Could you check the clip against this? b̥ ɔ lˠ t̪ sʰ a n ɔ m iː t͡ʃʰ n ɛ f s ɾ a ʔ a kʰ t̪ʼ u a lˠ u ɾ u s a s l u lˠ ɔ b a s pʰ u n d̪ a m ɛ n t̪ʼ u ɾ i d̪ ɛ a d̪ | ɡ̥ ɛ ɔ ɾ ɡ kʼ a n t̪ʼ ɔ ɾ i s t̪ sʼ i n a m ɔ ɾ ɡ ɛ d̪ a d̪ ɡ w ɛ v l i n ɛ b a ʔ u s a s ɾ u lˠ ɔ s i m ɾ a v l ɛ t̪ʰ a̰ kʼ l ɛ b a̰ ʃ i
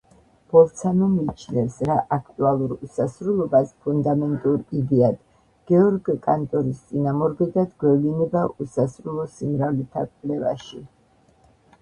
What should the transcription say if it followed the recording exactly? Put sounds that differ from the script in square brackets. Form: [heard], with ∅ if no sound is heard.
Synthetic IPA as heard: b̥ ɔ lˠ t̪ sʰ a n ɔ m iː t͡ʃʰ n ɛ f s ɾ a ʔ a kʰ t̪ʼ u a lˠ u ɾ u s a s [ɾ] u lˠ ɔ b a s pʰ u n d̪ a m ɛ n t̪ʼ u ɾ i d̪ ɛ a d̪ | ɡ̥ ɛ ɔ ɾ ɡ kʼ a n t̪ʼ ɔ ɾ i s t̪ sʼ i n a m ɔ ɾ ɡ ɛ d̪ a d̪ ɡ w ɛ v l i n ɛ b a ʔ u s a s ɾ u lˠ ɔ s i m ɾ a v l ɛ t̪ʰ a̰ kʼ l ɛ [v] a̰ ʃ i